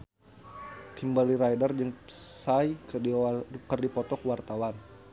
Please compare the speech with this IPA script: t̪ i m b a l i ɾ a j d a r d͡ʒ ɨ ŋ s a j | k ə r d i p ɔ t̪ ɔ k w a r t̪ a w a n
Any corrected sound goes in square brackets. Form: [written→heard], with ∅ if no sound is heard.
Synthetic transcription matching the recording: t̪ i m b a l i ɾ a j d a r d͡ʒ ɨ ŋ s a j | k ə r d i p ɔ t̪ ɔ k w a r t̪ a w a n